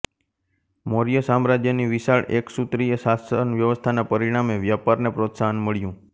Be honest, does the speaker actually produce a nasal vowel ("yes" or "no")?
yes